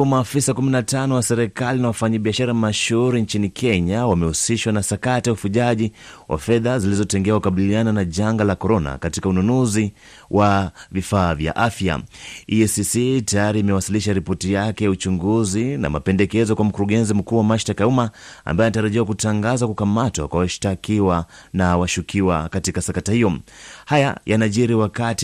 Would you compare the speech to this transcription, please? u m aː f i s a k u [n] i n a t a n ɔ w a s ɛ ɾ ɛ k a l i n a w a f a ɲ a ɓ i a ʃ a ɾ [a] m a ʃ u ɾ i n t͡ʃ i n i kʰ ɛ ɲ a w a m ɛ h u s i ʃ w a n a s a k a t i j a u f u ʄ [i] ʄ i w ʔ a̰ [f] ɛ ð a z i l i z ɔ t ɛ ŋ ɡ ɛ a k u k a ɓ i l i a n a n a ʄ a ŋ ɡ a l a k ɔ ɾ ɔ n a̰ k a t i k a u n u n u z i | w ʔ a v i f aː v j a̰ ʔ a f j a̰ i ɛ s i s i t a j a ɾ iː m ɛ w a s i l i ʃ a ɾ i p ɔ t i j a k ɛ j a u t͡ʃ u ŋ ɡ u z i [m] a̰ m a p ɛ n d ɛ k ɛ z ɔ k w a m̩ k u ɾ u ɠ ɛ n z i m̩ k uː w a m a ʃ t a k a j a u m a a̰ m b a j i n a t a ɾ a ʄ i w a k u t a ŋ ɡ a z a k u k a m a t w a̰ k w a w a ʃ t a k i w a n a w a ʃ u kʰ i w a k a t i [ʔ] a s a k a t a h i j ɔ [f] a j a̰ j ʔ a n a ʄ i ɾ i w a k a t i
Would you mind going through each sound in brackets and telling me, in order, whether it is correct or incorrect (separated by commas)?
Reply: incorrect, correct, incorrect, correct, incorrect, incorrect, incorrect